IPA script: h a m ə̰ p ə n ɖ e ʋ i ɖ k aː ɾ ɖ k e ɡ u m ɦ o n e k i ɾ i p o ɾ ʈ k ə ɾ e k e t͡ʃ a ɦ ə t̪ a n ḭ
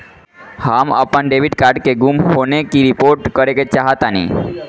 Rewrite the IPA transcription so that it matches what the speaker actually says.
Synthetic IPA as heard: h a m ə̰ p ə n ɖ e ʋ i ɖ k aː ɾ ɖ k e ɡ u m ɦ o n e k i ɾ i p o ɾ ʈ k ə ɾ e k e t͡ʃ a ɦ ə t̪ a n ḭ